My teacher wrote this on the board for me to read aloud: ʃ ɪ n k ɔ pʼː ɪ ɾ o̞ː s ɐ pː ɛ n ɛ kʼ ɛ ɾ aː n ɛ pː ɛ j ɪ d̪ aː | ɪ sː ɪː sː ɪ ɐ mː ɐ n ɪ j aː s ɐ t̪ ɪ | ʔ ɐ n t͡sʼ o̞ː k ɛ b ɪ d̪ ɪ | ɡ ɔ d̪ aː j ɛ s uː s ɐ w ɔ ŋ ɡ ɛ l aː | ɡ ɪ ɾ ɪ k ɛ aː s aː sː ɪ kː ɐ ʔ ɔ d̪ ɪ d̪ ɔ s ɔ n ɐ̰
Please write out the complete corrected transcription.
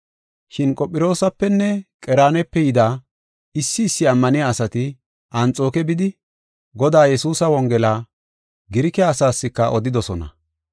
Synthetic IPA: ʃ ɪ n kʼ ɔ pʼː ɪ ɾ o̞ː s ɐ pː ɛ nː ɛ kʼ ɛ ɾ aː n ɛ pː ɛ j ɪ d̪ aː | ɪ sː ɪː sː ɪ ɐ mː ɐ n ɪ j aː s ɐ t̪ ɪ | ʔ ɐ n t͡sʼ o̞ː k ɛ b ɪ d̪ ɪ | ɡ ɔ d̪ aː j ɛ s uː s ɐ w ɔ ŋ ɡ ɛ l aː | ɡ ɪ ɾ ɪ k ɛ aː s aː sː ɪ kː ɐ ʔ ɔ d̪ ɪ d̪ ɔ s ɔ n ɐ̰